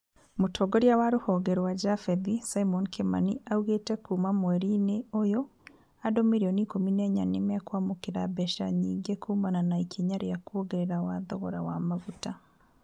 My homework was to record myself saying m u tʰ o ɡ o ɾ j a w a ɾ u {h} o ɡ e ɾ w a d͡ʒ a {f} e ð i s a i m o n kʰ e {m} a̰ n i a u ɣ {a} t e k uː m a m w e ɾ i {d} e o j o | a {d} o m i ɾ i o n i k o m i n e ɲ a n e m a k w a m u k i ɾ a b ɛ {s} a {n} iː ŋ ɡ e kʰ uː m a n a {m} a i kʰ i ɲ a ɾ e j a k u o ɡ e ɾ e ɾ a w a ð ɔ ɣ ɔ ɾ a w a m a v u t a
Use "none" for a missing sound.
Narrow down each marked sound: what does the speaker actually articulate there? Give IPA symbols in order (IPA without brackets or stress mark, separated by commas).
h, f, m, e, n, d, ʃ, ɲ, n